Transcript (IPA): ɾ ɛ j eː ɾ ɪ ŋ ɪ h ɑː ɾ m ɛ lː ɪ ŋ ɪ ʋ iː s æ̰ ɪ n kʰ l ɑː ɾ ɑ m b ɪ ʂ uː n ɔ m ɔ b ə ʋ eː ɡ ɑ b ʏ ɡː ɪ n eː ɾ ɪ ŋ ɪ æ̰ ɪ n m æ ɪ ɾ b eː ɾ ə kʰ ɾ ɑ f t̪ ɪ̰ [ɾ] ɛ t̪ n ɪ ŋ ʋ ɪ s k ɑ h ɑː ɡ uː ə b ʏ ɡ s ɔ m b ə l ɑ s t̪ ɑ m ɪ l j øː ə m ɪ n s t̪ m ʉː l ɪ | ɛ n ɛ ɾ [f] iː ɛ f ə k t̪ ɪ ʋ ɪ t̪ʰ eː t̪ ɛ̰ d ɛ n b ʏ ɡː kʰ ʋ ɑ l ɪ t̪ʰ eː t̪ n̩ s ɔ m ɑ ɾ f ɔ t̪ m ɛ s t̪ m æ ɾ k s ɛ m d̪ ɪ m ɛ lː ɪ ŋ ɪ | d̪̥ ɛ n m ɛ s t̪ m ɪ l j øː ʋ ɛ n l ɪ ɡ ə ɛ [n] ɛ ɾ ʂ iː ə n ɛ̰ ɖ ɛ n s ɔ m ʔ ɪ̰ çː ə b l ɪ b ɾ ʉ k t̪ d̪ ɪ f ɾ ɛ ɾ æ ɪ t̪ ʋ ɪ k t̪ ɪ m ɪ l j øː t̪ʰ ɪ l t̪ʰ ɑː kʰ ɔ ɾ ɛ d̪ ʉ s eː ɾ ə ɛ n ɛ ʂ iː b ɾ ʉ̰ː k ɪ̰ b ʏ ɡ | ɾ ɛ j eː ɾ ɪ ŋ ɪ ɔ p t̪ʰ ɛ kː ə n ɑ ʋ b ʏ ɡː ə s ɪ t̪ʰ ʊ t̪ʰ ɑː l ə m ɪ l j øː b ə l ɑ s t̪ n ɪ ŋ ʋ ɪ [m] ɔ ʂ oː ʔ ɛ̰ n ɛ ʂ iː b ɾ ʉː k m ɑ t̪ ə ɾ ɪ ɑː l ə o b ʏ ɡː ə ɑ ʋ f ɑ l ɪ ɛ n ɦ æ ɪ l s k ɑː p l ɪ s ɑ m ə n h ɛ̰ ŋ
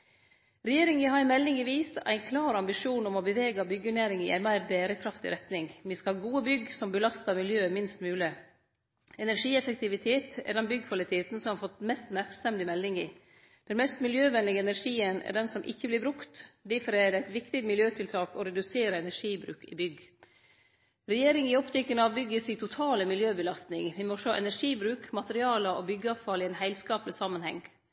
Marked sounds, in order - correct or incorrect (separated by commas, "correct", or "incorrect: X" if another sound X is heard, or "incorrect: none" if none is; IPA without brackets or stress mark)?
correct, incorrect: ʂ, correct, correct